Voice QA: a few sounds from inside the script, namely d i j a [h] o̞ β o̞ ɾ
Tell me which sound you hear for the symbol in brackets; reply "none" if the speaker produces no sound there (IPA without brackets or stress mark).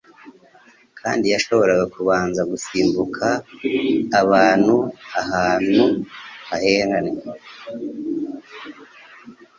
ʃ